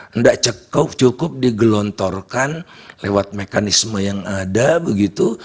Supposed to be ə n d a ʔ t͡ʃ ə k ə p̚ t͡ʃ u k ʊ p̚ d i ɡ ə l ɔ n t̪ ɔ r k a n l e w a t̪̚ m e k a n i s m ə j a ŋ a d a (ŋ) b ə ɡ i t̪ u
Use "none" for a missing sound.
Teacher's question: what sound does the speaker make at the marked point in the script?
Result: none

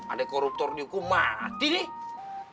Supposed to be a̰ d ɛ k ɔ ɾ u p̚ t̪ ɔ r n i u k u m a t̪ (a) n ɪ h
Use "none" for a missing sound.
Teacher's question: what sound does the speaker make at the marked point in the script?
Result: i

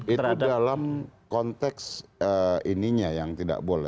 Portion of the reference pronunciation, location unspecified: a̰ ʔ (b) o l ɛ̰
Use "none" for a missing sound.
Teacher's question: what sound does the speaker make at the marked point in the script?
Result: b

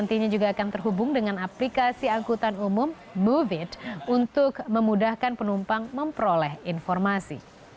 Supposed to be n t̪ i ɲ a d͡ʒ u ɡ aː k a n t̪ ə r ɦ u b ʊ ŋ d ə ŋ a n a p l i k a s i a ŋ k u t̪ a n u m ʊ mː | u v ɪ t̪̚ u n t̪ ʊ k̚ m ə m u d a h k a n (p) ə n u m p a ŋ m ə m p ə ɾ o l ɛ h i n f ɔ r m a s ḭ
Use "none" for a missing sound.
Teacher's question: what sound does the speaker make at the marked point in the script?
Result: p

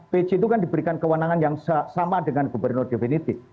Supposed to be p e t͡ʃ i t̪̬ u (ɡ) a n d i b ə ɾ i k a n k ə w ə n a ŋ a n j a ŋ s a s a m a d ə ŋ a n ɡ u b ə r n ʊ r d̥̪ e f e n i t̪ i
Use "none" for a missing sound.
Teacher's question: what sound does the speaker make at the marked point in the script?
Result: k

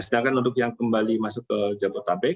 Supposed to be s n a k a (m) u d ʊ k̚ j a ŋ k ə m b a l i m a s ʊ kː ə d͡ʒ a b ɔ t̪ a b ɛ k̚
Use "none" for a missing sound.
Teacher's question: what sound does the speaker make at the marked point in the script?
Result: n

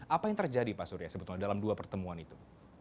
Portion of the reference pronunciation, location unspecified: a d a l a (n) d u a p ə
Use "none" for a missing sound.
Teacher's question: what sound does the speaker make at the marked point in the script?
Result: m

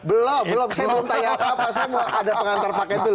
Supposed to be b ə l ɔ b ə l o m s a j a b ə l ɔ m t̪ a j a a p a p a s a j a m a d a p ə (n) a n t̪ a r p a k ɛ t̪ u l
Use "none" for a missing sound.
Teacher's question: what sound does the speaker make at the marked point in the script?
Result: ŋ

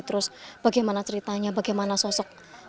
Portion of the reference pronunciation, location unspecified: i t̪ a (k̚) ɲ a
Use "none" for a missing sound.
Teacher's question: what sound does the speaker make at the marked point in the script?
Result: none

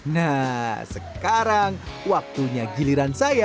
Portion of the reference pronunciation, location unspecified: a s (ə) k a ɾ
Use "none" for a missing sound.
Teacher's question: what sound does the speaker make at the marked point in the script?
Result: ə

